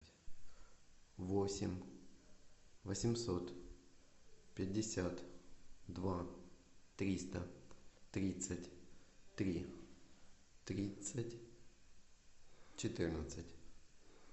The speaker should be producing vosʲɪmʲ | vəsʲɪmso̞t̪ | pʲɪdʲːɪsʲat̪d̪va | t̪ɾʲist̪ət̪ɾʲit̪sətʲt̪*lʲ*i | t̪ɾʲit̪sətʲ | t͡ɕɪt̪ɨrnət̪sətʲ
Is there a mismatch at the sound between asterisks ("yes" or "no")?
yes